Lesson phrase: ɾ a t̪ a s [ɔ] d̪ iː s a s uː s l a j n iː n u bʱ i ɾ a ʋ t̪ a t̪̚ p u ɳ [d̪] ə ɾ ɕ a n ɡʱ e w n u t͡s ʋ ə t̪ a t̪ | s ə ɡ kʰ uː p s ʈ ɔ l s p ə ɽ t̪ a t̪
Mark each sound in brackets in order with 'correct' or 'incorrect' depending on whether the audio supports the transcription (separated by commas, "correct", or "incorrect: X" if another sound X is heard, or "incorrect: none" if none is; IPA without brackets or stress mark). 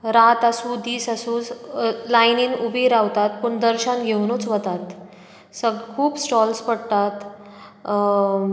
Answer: incorrect: u, correct